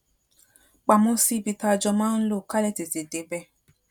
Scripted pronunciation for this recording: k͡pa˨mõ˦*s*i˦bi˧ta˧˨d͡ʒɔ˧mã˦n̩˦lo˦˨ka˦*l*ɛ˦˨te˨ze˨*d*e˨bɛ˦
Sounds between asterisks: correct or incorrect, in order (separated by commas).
correct, correct, correct